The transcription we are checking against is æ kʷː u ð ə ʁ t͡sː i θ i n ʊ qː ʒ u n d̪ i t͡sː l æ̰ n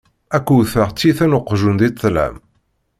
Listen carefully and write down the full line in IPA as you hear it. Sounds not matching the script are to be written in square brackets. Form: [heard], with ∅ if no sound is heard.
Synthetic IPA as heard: æ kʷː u [θ] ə ʁ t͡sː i θ [æ] n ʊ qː ʒ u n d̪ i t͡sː l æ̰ [m]